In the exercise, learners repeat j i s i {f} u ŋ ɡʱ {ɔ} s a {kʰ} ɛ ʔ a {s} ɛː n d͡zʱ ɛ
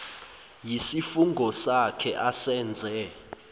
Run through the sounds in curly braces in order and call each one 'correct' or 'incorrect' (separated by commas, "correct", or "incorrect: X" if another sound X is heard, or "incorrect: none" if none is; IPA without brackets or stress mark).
correct, correct, correct, correct